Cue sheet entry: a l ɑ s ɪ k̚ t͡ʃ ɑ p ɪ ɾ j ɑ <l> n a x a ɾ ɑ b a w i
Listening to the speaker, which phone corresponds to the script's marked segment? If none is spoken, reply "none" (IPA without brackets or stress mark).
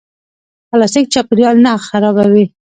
l